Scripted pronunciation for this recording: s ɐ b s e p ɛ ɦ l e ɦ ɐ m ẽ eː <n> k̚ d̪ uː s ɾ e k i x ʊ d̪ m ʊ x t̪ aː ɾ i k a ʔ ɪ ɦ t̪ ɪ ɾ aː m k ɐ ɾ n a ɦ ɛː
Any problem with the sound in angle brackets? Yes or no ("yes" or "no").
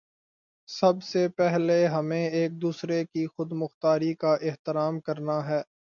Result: yes